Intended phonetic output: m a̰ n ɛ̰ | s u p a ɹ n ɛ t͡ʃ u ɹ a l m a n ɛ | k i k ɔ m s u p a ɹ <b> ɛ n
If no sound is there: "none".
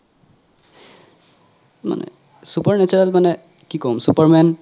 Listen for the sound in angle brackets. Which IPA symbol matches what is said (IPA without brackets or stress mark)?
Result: m